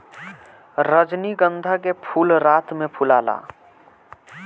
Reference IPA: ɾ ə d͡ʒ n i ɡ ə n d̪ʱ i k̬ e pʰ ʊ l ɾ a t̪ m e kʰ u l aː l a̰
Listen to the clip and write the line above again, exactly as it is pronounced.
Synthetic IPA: ɾ ə d͡ʒ n i ɡ ə n d̪ʱ a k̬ e pʰ u l ɾ a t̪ m e pʰ u l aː l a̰